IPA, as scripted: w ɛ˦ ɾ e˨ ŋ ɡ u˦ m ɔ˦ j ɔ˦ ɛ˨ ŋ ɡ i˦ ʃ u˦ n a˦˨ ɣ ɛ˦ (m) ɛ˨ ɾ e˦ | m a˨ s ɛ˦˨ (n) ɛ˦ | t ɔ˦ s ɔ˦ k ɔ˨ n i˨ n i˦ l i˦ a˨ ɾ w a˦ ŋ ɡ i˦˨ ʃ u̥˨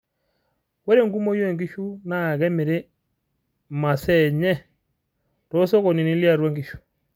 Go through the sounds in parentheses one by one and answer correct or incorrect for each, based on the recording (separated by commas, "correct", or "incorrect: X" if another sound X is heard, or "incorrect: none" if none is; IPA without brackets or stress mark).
correct, incorrect: ɲ